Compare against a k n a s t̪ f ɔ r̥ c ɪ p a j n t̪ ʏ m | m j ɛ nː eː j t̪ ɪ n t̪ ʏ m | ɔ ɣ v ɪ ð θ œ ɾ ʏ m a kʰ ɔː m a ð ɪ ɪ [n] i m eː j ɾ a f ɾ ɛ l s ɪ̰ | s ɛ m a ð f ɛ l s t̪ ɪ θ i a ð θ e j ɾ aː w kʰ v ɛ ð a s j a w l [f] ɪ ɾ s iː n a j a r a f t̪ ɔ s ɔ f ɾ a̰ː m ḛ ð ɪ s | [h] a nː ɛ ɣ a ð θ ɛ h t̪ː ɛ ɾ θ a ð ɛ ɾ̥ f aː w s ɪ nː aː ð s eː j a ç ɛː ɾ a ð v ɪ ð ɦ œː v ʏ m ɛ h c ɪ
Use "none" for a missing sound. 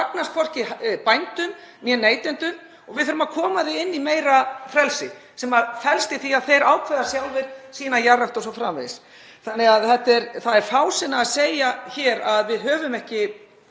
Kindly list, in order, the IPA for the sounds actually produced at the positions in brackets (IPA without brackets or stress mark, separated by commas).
nː, v, θ